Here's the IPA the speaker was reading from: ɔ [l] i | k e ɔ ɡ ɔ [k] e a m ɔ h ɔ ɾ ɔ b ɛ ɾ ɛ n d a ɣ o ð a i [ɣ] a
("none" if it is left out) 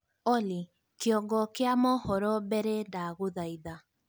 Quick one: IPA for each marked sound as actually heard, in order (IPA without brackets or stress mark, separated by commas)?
l, k, ð